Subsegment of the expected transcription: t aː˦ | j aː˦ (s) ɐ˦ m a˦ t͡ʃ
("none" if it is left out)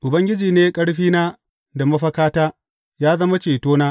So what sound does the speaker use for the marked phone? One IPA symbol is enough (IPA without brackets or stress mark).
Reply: z